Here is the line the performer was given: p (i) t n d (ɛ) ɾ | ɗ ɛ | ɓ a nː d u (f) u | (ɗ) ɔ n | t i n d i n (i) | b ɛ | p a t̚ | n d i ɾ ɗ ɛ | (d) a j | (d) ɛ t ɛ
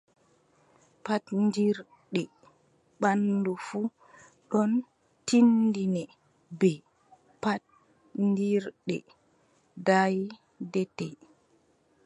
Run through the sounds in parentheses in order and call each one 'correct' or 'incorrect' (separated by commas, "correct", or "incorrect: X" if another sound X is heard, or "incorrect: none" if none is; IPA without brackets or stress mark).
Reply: incorrect: a, incorrect: i, correct, correct, incorrect: ɛ, correct, correct